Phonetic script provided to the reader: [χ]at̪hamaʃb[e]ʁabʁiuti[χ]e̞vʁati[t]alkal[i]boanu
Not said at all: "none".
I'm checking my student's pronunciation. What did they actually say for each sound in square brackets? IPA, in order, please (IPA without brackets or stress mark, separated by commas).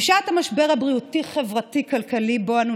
ʃ, e, χ, k, i